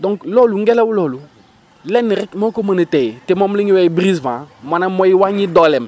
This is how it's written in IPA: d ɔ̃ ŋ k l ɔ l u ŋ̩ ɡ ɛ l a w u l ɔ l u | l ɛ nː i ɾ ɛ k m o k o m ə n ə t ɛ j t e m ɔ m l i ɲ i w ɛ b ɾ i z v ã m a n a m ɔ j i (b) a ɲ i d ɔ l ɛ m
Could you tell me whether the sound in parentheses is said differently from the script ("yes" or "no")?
yes